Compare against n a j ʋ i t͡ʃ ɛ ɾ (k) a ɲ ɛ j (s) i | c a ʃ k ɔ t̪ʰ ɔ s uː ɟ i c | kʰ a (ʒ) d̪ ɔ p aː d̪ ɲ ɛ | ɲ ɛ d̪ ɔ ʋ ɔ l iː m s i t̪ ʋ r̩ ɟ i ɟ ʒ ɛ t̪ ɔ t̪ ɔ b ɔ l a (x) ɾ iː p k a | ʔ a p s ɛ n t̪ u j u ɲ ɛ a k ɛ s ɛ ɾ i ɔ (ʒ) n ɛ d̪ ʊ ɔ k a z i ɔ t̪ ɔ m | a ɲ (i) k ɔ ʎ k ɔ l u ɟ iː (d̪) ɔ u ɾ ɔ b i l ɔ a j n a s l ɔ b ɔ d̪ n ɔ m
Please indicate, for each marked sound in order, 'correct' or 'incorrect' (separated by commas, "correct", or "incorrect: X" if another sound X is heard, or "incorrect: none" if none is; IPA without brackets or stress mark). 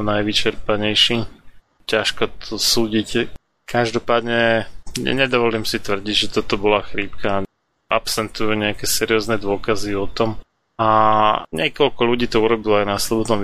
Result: incorrect: p, incorrect: ʃ, correct, correct, incorrect: z, incorrect: ɛ, incorrect: t̪